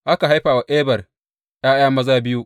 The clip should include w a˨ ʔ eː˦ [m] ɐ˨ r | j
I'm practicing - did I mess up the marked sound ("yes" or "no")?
yes